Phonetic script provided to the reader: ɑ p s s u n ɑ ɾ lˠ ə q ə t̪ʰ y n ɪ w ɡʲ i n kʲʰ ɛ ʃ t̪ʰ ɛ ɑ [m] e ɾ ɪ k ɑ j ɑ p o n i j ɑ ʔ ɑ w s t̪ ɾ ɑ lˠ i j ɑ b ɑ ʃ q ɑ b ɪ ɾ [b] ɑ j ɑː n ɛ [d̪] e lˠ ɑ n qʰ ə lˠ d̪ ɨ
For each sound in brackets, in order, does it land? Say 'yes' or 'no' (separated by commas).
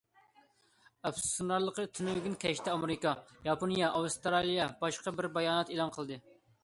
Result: yes, yes, no